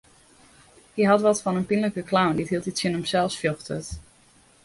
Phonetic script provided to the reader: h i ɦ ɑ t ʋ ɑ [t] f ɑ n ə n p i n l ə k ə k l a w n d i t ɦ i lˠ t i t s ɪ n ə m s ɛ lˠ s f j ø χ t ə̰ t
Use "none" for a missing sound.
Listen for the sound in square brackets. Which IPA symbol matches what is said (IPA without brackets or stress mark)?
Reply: t